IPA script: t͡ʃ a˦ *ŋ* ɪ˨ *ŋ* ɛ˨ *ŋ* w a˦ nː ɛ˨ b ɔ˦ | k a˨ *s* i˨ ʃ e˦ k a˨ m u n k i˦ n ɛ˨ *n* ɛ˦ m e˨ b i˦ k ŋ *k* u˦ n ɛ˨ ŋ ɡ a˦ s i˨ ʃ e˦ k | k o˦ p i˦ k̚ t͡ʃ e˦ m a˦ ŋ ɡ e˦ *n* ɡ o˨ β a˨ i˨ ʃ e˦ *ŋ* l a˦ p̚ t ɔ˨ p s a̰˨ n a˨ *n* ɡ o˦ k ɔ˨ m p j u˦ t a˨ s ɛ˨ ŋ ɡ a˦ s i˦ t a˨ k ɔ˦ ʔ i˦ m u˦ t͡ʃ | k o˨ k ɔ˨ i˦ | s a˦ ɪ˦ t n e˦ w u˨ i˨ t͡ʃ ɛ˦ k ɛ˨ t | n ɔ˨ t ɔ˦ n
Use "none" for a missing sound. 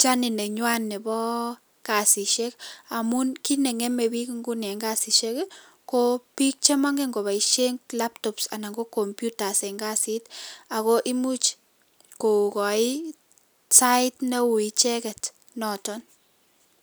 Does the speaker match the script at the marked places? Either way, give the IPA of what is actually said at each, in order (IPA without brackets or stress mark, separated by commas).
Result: n, n, ɲ, s, ŋ, ɡ, ŋ, ŋ, ŋ